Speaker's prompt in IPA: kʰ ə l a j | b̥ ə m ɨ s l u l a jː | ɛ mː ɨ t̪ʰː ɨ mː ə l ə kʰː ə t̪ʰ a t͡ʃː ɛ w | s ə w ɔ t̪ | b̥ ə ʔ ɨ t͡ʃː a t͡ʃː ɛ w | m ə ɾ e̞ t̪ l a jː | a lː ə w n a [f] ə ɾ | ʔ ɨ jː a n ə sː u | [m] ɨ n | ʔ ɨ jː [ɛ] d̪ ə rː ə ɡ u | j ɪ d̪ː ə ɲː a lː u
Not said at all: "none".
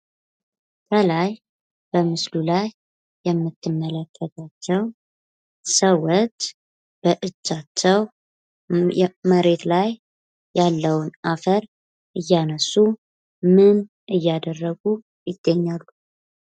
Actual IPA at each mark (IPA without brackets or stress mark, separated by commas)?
f, m, a